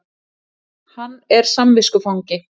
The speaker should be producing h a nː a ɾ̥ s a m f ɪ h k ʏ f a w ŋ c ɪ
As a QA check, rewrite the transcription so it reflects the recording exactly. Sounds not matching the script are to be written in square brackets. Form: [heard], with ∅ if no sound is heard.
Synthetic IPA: h a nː [ɛ] ɾ̥ s a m [v] ɪ [s] k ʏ f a w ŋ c ɪ

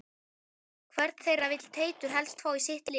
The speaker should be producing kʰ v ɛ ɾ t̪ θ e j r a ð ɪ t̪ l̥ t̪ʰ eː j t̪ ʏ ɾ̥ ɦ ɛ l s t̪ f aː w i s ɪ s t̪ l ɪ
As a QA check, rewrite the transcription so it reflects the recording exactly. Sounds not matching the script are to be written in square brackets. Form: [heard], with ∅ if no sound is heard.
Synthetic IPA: kʰ v ɛ ɾ t̪ θ e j r a [v] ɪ t̪ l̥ t̪ʰ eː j t̪ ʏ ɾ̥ ɦ ɛ l s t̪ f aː w i s ɪ [h] t̪ l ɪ

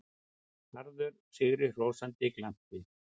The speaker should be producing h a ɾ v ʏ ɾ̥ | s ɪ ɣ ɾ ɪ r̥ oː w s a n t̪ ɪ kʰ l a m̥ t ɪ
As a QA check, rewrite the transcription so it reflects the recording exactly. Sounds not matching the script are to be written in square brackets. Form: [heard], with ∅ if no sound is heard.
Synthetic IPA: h a ɾ [ð] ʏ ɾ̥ | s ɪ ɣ ɾ ɪ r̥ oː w s a n t̪ ɪ [k] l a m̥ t ɪ

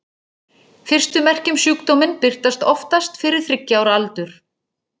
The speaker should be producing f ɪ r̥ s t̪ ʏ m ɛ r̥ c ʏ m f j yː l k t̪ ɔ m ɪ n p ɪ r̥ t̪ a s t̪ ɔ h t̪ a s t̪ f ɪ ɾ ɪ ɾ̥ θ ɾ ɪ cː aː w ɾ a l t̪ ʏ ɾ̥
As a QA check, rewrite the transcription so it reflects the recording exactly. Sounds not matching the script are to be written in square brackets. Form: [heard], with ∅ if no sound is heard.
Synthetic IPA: f ɪ r̥ s t̪ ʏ m ɛ r̥ c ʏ m [s] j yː [∅] k t̪ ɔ m ɪ n p ɪ r̥ t̪ a s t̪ ɔ [f] t̪ a s t̪ f ɪ ɾ ɪ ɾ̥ θ ɾ ɪ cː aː w ɾ a l t̪ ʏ ɾ̥

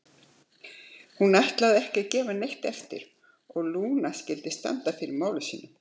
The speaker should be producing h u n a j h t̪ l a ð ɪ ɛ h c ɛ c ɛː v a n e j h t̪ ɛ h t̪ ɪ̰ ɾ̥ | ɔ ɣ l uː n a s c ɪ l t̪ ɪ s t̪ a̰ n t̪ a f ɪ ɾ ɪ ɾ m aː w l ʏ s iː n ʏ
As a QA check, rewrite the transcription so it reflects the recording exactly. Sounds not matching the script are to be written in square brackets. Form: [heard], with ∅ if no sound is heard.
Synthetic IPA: h u n a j h t̪ l a ð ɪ ɛ h c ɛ c ɛː v a n e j h t̪ ɛ [f] t̪ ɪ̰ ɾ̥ | ɔ ɣ l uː n a s c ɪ l t̪ ɪ s t̪ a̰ n t̪ a f ɪ ɾ ɪ ɾ m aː w l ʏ s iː n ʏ

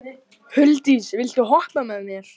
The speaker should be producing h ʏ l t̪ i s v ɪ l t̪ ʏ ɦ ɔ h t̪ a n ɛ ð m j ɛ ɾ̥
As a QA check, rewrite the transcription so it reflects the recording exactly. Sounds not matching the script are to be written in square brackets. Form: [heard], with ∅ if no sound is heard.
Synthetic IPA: h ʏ l t̪ i s v ɪ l t̪ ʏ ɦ ɔ h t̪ a [m] ɛ ð m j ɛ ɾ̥

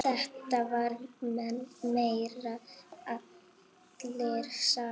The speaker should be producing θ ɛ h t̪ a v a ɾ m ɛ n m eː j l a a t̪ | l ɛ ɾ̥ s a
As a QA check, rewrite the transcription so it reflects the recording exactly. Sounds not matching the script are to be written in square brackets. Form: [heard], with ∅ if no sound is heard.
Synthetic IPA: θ ɛ h t̪ a v a ɾ m ɛ n m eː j [ɾ] a a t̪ | l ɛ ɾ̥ s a

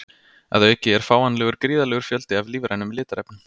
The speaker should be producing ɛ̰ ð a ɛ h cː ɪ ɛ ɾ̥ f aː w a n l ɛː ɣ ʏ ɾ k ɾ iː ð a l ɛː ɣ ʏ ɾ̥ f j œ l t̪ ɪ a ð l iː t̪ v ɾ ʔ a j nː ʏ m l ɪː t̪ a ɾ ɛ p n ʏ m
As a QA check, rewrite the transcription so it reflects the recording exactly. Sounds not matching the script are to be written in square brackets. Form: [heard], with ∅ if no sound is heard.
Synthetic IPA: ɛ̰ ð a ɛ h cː ɪ ɛ ɾ̥ f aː w a n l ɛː ɣ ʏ ɾ k ɾ iː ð a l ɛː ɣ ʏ ɾ̥ f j œ l t̪ ɪ a [v] l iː [∅] v ɾ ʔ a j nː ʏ m l ɪː t̪ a ɾ ɛ p n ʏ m

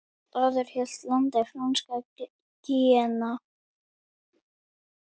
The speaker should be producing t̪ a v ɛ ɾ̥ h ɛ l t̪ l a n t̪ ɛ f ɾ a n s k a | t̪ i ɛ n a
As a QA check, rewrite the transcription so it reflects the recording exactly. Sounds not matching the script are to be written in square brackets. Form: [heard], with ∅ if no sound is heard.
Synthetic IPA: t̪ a [ð] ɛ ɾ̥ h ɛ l t̪ l a n t̪ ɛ f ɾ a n s k a | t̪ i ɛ n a

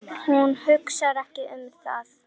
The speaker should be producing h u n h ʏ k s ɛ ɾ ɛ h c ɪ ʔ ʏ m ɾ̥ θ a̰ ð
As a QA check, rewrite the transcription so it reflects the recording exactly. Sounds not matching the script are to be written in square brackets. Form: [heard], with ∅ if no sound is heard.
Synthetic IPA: h u n h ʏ k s [a] ɾ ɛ h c ɪ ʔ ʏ m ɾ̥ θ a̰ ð

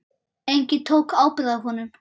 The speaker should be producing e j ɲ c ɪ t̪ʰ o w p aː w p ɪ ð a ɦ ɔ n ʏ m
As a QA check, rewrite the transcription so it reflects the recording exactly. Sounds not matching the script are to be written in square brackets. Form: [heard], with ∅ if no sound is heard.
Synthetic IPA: e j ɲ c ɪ t̪ʰ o w [k] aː w p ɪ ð a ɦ ɔ n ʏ m

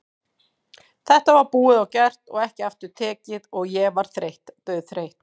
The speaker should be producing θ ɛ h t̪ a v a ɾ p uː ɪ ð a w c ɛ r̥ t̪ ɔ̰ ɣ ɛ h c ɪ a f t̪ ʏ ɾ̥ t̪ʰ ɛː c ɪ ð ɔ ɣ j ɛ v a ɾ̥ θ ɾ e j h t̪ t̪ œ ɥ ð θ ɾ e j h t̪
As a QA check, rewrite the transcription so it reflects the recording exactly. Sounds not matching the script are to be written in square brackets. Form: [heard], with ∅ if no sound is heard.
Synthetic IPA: θ ɛ h t̪ a v a ɾ p uː ɪ ð a w c ɛ r̥ t̪ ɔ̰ ɣ ɛ h c ɪ a f t̪ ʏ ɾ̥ t̪ʰ ɛː c ɪ ð ɔ ɣ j ɛ v a ɾ̥ θ ɾ e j h t̪ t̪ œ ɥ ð θ ɾ e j h t̪

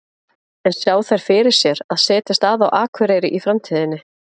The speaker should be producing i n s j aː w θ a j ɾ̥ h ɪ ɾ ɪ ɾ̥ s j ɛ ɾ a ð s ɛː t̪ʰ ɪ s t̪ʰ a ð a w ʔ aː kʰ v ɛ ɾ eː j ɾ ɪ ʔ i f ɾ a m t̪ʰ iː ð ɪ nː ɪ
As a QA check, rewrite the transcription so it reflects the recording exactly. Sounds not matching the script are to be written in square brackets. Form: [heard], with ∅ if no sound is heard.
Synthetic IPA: [ɛ] n s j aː w θ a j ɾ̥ [f] ɪ ɾ ɪ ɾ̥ s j ɛ ɾ a ð s ɛː [t̪] ɪ s [t̪] a ð a w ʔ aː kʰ v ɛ ɾ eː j ɾ ɪ ʔ i f ɾ a m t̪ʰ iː ð ɪ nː ɪ

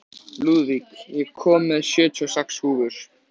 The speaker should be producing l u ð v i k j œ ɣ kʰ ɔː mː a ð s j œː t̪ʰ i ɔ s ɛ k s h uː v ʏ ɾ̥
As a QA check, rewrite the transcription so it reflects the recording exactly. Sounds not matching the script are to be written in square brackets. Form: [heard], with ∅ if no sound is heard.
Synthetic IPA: l u ð v i k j [ɛ] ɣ kʰ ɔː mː [ɛ] ð s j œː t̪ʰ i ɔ s ɛ k s h uː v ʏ ɾ̥

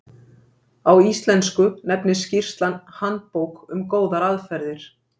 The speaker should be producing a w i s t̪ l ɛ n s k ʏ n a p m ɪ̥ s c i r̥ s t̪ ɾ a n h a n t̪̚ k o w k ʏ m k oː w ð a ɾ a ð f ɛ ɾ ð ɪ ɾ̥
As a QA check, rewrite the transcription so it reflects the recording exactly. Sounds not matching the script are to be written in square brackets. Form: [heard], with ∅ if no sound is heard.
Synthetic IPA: a w i s t̪ l ɛ n s k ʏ n [ɛ] p [n] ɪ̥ s c i r̥ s t̪ [l] a n h a n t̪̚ [p] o w k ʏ m k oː w ð a ɾ a ð f ɛ ɾ ð ɪ ɾ̥

